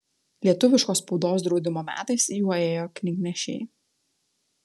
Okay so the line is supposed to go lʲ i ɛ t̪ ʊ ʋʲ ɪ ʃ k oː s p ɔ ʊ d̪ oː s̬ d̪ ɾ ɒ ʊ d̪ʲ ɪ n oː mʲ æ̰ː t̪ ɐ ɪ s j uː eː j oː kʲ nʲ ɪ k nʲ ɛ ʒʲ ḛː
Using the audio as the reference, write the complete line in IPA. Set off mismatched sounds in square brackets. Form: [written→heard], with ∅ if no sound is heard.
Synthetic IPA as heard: lʲ i ɛ t̪ ʊ ʋʲ ɪ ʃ k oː s p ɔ ʊ d̪ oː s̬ d̪ ɾ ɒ ʊ d̪ʲ ɪ [n→m] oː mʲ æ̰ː t̪ ɐ ɪ s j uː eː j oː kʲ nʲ ɪ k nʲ ɛ [ʒʲ→ʃʲ] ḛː